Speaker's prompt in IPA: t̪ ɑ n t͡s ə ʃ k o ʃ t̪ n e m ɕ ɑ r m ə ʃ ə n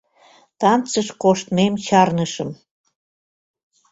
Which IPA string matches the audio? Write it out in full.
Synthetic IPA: t̪ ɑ n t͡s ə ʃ k o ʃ t̪ m e m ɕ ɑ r n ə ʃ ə m

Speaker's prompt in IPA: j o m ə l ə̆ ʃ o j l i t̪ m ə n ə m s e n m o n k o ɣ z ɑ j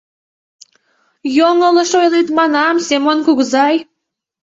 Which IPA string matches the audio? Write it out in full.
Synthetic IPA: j o ŋ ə l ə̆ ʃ o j l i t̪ m ɑ n ɑ m s e m o n k u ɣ z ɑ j

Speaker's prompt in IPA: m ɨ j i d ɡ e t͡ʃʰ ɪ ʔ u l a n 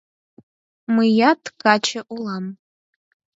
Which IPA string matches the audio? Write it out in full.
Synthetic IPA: m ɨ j a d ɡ a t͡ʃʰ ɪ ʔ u l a m

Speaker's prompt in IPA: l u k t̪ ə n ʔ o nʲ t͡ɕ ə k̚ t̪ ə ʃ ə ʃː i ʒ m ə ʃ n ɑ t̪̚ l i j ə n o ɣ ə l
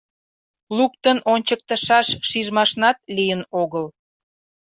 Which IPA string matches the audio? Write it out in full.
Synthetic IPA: l u k t̪ ə n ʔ o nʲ t͡ɕ ə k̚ t̪ ə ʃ ɑ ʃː i ʒ m ɑ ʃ n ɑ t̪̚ l i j ə n o ɣ ə l

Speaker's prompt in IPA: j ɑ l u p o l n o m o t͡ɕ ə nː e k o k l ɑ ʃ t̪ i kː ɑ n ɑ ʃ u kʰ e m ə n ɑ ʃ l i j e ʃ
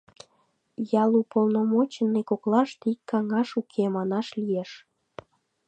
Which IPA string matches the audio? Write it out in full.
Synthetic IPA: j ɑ l u p o l n o m o t͡ɕ ə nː e k o k l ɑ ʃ t̪ i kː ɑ ŋ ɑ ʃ u kʰ e m ɑ n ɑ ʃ l i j e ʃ

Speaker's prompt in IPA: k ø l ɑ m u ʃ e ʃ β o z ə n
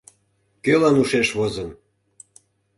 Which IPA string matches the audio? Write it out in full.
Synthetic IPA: k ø l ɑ n u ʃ e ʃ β o z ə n

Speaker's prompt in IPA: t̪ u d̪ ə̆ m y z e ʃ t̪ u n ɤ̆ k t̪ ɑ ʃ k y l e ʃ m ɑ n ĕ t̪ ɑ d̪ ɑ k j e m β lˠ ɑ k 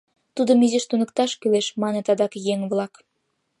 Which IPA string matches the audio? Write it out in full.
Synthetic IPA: t̪ u d̪ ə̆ m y z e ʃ t̪ u n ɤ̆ k t̪ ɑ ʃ k y l e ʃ m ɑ n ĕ t̪ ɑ d̪ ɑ k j e ŋ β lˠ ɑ k

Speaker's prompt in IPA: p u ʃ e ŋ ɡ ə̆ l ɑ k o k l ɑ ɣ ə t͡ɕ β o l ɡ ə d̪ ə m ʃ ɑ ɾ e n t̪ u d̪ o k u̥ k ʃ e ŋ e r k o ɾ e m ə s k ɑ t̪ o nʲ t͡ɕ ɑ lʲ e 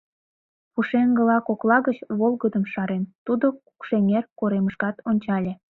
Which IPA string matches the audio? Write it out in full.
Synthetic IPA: p u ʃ e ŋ ɡ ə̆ l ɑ k o k l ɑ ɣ ə t͡ɕ β o l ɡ ə d̪ ə m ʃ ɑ ɾ e n t̪ u d̪ o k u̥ k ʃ e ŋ e r k o ɾ e m ə ʃ k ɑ t̪ o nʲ t͡ɕ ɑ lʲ e

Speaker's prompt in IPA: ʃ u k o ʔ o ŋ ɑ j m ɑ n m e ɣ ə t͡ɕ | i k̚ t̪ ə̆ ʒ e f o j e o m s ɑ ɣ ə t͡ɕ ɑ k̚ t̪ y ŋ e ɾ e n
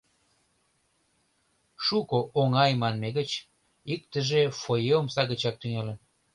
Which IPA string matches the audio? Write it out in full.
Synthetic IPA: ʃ u k o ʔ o ŋ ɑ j m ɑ n m e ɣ ə t͡ɕ | i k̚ t̪ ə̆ ʒ e f o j e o m s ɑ ɣ ə t͡ɕ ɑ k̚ t̪ y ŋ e l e n

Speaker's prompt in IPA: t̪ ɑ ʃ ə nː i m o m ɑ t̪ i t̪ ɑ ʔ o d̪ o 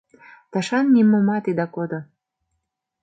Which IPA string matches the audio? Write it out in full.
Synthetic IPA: t̪ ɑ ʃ ɑ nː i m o m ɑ t̪ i d̪ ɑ k o d̪ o

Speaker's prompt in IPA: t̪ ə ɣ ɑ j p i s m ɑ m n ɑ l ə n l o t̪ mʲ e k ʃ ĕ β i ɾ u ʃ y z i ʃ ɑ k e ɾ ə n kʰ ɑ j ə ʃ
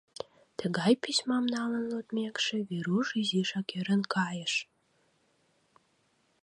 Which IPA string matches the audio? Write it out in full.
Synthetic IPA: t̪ ə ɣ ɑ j p i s m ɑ m n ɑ l ə n l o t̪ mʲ e k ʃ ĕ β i ɾ u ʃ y z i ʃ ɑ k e ɾ ə n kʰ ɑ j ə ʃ

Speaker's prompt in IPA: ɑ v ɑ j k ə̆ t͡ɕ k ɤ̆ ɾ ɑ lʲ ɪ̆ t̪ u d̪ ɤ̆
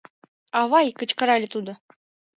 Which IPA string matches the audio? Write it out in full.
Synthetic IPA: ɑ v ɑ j k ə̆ t͡ɕ k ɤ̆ ɾ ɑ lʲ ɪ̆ t̪ u d̪ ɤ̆

